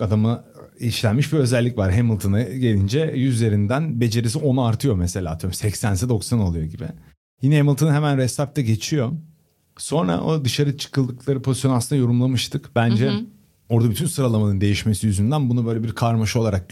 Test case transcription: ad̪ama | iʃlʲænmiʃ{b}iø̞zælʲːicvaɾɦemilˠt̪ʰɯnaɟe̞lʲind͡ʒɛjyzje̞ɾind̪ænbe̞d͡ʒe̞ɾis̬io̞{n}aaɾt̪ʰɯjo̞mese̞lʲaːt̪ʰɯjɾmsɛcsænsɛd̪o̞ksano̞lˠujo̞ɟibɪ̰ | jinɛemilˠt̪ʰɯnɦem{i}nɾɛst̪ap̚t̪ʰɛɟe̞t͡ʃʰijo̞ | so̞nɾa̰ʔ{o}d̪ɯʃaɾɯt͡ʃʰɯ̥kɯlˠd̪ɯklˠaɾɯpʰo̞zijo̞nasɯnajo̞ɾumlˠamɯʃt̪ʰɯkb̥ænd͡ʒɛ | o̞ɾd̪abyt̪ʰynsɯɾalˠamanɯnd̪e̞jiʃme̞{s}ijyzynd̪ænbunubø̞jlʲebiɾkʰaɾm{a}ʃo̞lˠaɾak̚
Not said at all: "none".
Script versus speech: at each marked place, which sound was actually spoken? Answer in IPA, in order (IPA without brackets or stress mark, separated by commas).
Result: b, n, æ, o, s, a